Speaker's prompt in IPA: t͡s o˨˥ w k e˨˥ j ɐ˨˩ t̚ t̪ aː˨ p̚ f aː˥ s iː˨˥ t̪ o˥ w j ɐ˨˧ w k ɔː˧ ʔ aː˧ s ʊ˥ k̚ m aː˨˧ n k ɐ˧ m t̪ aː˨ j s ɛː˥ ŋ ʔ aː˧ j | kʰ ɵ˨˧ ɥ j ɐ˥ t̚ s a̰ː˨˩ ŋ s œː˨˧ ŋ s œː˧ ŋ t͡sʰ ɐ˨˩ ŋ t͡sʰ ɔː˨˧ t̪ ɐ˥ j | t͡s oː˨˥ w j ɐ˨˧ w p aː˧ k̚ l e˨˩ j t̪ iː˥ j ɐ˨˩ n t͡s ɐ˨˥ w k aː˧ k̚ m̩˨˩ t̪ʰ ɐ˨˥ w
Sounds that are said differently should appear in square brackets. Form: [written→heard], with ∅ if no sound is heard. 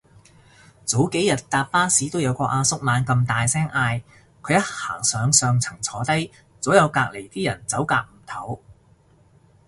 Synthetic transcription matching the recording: t͡s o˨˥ w k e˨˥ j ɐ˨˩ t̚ t̪ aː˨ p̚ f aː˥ s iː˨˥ t̪ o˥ w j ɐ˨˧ w k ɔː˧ ʔ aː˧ s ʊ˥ k̚ m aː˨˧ n k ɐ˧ m t̪ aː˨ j s ɛː˥ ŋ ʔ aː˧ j | kʰ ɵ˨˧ ɥ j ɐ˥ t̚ [s→h] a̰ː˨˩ ŋ s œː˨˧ ŋ s œː˧ ŋ t͡sʰ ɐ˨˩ ŋ t͡sʰ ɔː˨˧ t̪ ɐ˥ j | t͡s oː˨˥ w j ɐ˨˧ w [p→k] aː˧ k̚ l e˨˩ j t̪ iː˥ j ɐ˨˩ n t͡s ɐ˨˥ w k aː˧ k̚ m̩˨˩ t̪ʰ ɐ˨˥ w